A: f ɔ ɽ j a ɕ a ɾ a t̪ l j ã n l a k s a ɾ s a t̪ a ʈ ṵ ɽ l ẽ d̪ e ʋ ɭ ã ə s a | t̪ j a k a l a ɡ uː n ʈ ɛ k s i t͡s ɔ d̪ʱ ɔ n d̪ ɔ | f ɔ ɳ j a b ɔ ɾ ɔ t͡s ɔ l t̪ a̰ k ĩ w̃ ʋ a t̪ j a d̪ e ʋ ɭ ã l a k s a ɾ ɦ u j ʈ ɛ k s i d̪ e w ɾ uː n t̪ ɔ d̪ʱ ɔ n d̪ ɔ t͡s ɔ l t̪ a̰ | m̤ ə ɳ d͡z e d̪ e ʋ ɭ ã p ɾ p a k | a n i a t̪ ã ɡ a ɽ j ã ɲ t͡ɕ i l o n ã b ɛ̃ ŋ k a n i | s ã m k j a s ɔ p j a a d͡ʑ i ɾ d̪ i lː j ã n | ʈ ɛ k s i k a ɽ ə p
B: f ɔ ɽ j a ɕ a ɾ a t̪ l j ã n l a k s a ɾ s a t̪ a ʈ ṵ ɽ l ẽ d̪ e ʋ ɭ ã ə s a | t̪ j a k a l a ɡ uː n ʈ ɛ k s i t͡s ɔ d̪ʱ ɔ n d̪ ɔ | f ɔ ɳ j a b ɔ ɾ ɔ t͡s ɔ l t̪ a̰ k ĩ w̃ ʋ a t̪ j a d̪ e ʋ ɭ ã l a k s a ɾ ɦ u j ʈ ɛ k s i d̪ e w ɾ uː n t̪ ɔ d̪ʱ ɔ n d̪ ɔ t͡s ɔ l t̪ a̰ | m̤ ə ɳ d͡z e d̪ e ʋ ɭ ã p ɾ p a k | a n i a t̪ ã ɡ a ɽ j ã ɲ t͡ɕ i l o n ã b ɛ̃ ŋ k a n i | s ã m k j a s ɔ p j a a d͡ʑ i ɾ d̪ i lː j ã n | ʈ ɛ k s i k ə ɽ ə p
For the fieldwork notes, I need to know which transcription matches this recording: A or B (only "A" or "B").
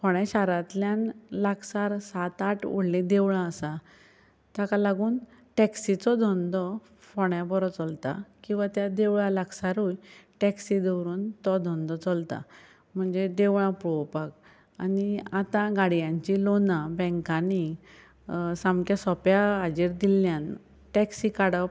A